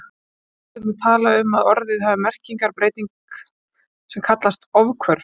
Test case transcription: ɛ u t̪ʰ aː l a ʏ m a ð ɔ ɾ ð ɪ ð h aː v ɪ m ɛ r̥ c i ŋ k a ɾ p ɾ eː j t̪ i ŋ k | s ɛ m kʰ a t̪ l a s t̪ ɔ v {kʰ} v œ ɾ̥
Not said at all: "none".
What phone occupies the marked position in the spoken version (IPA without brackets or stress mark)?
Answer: kʰ